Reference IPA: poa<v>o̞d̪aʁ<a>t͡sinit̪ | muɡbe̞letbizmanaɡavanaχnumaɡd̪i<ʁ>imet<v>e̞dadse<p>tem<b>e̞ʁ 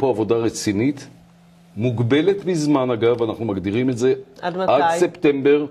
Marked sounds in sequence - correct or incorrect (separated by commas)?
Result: correct, incorrect, correct, incorrect, correct, correct